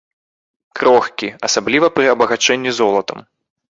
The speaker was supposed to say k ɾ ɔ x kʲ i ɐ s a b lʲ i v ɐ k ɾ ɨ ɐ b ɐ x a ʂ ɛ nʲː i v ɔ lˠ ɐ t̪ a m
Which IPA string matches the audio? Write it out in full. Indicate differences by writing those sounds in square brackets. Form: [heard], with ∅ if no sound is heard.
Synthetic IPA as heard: k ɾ ɔ x kʲ i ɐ s a b lʲ i v ɐ [p] ɾ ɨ ɐ b ɐ [ɣ] a [t͡ʂ] ɛ nʲː i [z] ɔ lˠ ɐ t̪ [ɐ] m

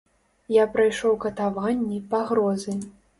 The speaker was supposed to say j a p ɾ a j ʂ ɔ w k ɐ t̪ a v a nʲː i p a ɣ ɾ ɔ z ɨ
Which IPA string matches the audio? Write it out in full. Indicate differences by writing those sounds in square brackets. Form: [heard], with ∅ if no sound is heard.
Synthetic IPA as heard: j a p ɾ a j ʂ ɔ w k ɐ t̪ a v a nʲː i p a ɣ ɾ ɔ z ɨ

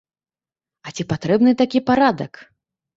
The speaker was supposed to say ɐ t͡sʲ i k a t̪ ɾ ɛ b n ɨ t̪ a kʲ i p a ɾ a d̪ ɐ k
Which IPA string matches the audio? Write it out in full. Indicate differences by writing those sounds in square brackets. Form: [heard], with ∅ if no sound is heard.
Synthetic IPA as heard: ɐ t͡sʲ i [p] a t̪ ɾ ɛ b n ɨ t̪ a kʲ i p a ɾ a d̪ ɐ k

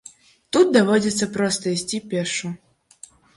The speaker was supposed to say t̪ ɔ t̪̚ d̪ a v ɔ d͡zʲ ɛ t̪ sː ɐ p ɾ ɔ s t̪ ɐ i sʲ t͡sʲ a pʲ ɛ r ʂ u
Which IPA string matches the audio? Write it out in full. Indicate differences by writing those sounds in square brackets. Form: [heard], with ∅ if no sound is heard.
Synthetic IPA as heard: t̪ [u] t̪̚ d̪ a v ɔ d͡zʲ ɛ t̪ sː ɐ p ɾ ɔ s t̪ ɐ i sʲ t͡sʲ [i] pʲ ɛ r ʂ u

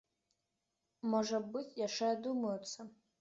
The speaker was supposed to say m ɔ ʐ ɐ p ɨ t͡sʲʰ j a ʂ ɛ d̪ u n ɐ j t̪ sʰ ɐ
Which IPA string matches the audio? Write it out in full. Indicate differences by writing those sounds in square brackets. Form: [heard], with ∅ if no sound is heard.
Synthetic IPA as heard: m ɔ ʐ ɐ [b] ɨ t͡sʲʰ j a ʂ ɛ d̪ u [m] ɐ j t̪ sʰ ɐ

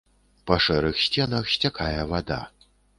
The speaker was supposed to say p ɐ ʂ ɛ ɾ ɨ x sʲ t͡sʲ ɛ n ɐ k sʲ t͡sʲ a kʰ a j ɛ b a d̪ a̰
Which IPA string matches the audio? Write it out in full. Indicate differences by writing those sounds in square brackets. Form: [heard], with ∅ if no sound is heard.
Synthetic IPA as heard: p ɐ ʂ ɛ ɾ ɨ x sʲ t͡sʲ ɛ n ɐ [x] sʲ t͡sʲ a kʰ a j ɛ [v] a d̪ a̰

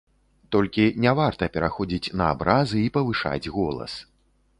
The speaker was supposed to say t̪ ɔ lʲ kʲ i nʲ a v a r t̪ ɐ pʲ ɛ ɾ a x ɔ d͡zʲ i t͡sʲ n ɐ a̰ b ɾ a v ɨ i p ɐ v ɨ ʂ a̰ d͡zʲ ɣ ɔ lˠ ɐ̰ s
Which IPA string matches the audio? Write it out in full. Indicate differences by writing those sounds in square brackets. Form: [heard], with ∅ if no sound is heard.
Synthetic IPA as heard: t̪ ɔ lʲ kʲ i nʲ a v a r t̪ ɐ pʲ ɛ ɾ a x ɔ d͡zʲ i t͡sʲ n ɐ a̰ b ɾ a [z] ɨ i p ɐ v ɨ ʂ a̰ d͡zʲ ɣ ɔ lˠ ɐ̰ s

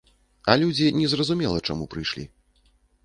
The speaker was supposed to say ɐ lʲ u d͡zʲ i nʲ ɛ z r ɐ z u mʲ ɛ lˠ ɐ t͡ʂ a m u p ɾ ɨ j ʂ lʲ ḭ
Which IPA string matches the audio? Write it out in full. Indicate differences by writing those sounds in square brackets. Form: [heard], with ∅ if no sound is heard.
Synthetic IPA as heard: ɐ lʲ u d͡zʲ i nʲ ɛ z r ɐ z u mʲ ɛ lˠ ɐ t͡ʂ a m u p ɾ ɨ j ʂ lʲ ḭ

